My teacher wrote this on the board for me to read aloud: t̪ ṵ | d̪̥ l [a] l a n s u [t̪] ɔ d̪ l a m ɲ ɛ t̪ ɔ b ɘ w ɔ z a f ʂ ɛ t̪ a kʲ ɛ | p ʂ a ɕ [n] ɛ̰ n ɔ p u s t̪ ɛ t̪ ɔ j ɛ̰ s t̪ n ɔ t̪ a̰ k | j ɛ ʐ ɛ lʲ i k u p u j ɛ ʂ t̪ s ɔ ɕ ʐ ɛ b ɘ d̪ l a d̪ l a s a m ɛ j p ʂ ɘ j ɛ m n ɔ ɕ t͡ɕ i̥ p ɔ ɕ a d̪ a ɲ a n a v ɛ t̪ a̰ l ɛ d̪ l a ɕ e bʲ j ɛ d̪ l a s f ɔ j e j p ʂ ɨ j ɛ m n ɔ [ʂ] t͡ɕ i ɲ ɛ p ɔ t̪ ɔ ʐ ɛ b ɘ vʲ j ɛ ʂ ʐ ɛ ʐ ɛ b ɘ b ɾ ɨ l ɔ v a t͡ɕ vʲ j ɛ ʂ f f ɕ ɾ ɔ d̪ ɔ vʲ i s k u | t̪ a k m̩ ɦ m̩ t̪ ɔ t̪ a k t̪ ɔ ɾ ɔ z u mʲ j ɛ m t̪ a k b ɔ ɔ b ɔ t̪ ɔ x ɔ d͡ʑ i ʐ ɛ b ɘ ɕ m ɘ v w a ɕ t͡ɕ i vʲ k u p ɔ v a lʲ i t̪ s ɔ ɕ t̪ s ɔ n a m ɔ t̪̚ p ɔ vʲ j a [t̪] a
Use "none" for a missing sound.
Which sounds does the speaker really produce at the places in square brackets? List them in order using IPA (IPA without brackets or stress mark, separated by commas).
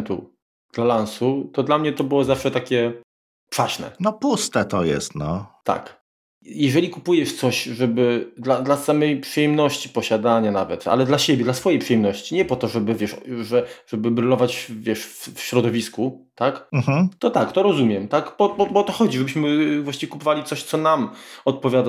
a, t̪, n, ɕ, d̪